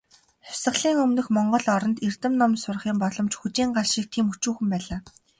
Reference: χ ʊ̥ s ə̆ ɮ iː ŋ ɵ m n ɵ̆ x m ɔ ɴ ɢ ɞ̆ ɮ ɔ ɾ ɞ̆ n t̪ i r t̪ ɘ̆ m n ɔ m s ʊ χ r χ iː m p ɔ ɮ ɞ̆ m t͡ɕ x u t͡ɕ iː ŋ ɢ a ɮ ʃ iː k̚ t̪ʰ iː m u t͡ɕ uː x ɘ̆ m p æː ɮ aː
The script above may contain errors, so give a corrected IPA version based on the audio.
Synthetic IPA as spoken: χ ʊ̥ s ə̆ ɮ iː ŋ ɵ m n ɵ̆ x m ɔ ɴ ɢ ɞ̆ ɮ ɔ ɾ ɞ̆ n t̪ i r t̪ ɘ̆ m n ɔ m s ʊ r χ iː m p ɔ ɮ ɞ̆ m t͡ɕ x u t͡ɕ iː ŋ ɢ a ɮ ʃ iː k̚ t̪ʰ iː m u t͡ɕ uː x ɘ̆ m p æː ɮ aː